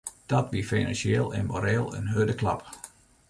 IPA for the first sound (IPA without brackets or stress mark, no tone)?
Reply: d̥